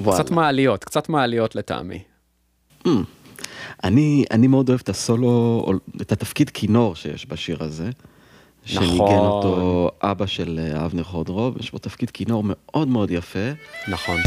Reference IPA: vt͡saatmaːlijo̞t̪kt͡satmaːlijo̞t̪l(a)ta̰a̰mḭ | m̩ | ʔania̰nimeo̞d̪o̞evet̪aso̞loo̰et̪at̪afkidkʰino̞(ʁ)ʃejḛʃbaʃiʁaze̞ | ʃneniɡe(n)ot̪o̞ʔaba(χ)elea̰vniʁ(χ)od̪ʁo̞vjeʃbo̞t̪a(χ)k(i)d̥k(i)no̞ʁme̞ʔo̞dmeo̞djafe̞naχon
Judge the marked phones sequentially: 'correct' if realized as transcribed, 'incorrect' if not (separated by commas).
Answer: incorrect, correct, correct, incorrect, correct, incorrect, correct, correct